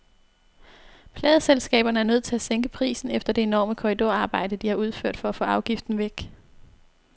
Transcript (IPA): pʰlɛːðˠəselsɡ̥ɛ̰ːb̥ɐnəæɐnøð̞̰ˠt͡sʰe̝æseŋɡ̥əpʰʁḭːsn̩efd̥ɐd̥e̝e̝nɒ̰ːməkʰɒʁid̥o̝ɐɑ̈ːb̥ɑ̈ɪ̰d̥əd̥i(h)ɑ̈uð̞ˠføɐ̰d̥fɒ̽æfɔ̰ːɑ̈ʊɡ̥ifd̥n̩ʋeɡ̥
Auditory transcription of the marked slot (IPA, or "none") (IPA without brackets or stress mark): h